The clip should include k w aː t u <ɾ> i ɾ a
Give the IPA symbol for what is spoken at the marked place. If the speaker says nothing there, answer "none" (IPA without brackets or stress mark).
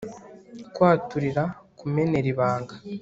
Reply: ɾ